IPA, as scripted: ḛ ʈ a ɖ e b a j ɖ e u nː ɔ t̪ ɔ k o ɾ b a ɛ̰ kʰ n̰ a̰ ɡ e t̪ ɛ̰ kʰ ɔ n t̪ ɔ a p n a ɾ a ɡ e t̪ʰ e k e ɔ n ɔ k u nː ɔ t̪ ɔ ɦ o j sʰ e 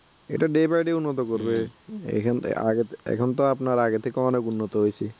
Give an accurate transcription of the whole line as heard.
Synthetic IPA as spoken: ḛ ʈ a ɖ e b a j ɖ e u nː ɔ t̪ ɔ k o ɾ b e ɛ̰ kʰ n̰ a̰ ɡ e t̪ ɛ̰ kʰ ɔ n t̪ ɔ a p n a ɾ a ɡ e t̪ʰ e k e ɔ n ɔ k u nː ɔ t̪ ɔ ɦ o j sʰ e

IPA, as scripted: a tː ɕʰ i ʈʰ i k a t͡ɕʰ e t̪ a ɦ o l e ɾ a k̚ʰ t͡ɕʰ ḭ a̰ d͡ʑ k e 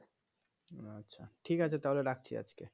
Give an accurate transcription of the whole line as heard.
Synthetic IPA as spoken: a tː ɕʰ a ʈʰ i k a t͡ɕʰ e t̪ a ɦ o l e ɾ a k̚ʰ t͡ɕʰ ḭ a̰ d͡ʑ k e

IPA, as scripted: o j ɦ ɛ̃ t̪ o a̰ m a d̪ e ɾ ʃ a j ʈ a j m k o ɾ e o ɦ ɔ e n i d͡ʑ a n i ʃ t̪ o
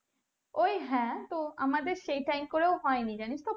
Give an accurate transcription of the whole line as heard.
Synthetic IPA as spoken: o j ɦ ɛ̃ t̪ o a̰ m a d̪ e ɾ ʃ e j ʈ a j m k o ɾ e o ɦ ɔ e n i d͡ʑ a n i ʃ t̪ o

